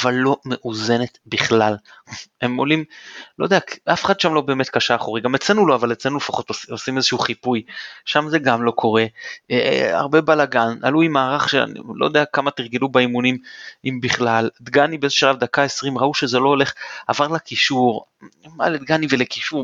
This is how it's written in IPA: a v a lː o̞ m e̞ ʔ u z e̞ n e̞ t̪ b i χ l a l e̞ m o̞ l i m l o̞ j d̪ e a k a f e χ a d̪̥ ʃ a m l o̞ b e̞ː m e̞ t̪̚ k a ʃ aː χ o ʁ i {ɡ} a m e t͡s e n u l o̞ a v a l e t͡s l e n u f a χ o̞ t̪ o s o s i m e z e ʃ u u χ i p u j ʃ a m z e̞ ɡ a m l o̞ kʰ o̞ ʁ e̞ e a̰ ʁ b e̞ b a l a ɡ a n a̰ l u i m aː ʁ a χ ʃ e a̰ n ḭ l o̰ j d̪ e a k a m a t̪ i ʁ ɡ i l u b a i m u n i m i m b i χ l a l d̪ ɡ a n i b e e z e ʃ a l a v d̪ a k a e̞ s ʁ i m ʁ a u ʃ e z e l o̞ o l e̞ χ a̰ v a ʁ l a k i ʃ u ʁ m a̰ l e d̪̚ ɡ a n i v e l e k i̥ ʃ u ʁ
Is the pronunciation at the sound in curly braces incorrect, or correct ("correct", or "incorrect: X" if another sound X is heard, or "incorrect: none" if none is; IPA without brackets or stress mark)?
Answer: correct